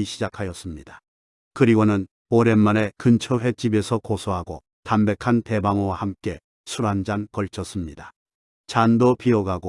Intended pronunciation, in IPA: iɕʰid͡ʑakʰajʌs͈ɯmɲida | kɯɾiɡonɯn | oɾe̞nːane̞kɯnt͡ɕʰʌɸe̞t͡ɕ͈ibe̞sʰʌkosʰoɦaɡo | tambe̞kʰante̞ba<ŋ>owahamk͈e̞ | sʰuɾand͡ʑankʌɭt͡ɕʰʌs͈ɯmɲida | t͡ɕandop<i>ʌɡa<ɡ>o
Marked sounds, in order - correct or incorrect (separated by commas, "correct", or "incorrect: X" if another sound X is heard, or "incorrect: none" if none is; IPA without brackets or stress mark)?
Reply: correct, correct, correct